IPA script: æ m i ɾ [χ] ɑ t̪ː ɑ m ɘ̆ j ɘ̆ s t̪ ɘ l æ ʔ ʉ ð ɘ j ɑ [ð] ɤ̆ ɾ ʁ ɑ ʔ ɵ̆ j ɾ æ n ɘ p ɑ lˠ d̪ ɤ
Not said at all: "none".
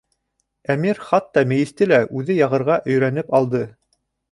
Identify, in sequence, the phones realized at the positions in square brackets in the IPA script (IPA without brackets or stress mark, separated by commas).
χ, ʁ